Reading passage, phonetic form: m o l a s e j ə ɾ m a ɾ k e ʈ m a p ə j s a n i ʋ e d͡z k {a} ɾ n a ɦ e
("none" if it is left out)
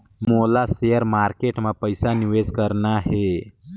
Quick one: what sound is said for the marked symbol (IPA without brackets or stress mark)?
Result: ə